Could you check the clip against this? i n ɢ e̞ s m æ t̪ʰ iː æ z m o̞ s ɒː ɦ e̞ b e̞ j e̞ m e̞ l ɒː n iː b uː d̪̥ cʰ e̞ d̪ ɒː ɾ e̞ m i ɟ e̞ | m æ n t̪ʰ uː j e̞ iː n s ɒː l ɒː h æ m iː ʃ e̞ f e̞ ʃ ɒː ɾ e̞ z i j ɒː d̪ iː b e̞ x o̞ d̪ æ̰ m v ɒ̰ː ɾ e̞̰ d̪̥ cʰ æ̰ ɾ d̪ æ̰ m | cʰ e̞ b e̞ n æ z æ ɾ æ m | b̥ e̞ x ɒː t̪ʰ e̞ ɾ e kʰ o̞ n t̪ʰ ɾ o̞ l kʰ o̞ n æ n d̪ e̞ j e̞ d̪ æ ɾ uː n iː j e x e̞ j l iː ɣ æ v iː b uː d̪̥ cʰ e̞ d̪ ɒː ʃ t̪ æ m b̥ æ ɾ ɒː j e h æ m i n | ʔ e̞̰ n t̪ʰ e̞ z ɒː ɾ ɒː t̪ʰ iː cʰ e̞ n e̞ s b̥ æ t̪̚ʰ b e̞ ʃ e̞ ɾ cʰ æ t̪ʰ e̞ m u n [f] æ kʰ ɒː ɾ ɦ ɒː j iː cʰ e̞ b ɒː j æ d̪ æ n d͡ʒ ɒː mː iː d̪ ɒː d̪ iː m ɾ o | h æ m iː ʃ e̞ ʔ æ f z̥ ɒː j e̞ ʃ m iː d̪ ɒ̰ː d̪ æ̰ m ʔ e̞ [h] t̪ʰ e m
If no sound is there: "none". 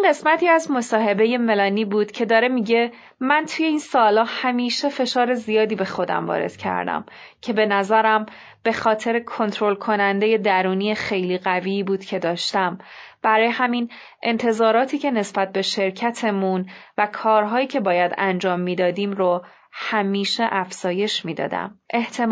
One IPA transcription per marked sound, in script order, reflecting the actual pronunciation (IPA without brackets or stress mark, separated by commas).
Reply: v, h